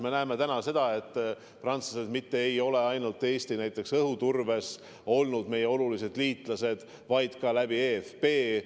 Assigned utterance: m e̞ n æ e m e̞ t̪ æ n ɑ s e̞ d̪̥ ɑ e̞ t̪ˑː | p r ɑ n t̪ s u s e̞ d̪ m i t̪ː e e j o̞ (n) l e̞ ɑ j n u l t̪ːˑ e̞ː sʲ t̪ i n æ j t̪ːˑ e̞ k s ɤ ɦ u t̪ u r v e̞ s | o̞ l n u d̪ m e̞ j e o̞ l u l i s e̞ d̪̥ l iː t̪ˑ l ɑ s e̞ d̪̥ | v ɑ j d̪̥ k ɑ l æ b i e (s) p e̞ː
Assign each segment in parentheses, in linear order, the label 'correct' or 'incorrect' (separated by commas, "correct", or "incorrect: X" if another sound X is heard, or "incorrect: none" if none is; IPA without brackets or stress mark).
incorrect: none, incorrect: f